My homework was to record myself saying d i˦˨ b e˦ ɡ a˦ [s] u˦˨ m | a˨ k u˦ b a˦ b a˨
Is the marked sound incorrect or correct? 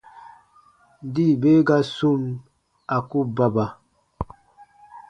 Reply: correct